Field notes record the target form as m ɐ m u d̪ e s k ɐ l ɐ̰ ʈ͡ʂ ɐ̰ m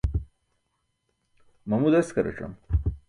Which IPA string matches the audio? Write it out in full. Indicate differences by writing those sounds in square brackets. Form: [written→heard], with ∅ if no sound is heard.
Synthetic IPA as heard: m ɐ m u d̪ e s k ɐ [l→ɾ] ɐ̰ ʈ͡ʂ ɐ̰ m